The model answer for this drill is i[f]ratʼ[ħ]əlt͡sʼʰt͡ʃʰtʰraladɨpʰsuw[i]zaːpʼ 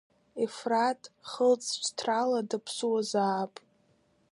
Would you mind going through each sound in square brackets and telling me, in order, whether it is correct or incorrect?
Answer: correct, incorrect: χ, incorrect: a

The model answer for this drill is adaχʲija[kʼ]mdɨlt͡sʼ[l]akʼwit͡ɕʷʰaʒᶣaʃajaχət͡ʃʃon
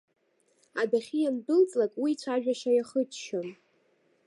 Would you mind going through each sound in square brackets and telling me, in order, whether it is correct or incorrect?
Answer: incorrect: none, correct

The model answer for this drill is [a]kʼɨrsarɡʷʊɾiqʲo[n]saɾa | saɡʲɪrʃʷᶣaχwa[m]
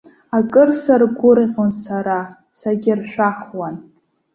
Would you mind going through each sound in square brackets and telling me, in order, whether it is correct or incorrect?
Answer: correct, correct, incorrect: n

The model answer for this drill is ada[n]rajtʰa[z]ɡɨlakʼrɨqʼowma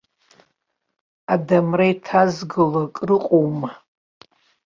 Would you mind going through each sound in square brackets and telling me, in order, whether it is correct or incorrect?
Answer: incorrect: m, correct

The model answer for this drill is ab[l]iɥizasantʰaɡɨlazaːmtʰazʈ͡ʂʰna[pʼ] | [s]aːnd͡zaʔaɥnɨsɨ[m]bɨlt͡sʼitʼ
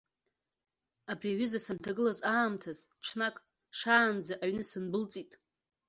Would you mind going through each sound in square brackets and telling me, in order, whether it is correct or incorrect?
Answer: incorrect: r, incorrect: kʼ, incorrect: ʂ, incorrect: n

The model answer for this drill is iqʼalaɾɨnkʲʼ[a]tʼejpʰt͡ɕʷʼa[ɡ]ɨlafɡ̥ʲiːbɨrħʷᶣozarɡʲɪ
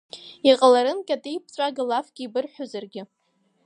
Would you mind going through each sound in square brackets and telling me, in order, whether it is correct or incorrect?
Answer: correct, correct

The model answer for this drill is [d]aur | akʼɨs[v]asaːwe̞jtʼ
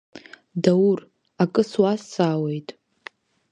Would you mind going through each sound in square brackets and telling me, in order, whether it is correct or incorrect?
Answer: correct, incorrect: w

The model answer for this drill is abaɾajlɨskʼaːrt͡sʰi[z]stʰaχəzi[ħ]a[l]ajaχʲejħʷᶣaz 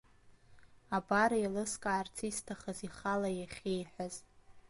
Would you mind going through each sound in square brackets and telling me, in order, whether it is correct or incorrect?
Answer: incorrect: none, incorrect: χ, correct

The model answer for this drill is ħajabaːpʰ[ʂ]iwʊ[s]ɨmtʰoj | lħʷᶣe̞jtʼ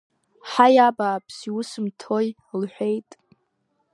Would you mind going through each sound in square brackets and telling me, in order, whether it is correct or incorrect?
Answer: incorrect: s, correct

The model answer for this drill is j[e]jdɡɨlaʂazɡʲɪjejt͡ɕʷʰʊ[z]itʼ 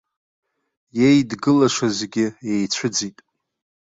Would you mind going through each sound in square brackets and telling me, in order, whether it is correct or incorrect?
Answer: correct, incorrect: d͡z

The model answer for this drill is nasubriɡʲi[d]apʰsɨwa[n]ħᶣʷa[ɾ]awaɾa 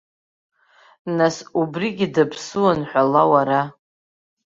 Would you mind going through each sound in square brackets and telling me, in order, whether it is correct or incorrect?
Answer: correct, correct, incorrect: l

